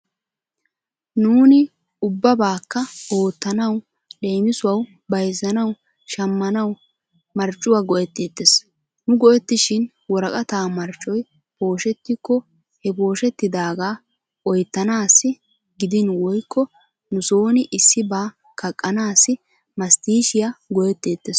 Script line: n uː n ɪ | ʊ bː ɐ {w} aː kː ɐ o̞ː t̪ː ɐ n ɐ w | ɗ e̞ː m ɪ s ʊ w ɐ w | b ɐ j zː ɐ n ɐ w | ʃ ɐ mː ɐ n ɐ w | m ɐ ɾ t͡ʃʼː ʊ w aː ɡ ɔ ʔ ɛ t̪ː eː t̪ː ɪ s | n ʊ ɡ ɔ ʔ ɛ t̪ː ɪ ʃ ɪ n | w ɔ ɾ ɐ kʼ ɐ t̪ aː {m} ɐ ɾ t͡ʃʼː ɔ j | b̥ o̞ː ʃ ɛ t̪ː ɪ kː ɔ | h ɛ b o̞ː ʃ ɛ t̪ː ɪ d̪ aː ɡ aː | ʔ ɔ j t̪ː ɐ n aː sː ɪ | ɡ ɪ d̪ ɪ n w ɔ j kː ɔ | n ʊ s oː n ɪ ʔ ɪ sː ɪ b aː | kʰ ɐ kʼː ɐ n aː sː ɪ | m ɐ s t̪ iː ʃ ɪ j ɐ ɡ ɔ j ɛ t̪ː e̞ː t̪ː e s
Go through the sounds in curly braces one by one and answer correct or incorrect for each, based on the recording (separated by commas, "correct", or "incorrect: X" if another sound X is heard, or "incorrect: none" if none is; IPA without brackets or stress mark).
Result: incorrect: b, correct